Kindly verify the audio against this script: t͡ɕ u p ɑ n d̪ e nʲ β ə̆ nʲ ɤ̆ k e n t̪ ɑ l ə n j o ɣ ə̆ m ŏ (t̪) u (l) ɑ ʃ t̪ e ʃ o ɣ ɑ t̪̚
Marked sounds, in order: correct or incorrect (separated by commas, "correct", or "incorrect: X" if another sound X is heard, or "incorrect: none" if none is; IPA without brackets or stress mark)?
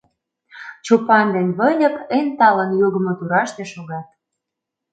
correct, incorrect: ɾ